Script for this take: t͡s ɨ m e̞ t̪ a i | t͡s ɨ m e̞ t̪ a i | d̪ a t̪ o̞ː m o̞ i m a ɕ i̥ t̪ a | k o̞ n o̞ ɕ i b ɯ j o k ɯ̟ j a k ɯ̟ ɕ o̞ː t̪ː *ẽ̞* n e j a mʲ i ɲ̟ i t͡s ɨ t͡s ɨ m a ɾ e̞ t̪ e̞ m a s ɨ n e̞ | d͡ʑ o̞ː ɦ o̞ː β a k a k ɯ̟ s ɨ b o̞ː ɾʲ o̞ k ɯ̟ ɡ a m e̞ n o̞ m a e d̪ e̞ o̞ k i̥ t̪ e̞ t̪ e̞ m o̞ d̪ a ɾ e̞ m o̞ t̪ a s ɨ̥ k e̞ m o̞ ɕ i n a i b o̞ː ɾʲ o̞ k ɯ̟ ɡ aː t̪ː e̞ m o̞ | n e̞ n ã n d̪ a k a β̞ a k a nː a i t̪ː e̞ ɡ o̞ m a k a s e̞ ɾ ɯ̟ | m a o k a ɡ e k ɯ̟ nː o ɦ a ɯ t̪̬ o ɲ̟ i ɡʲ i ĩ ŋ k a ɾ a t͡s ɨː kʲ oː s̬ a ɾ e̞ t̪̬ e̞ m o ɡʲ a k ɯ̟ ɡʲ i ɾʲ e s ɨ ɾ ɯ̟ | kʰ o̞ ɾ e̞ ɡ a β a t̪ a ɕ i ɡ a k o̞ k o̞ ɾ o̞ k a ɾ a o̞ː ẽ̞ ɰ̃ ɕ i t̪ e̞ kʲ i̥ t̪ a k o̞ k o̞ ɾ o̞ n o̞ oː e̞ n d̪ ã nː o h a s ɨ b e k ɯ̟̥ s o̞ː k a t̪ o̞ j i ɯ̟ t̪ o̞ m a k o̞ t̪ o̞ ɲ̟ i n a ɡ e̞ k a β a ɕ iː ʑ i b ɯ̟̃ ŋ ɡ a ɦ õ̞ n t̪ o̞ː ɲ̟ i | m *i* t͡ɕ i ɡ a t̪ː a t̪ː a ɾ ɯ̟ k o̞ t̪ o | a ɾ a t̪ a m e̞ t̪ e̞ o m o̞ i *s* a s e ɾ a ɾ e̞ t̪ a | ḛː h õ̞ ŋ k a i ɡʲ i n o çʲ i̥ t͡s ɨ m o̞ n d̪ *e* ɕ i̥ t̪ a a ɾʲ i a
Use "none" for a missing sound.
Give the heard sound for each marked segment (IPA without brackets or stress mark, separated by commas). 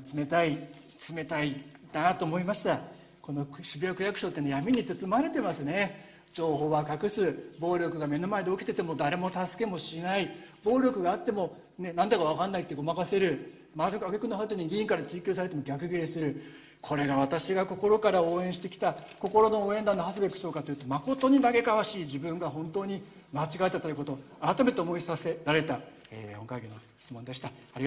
e̞, a, s, e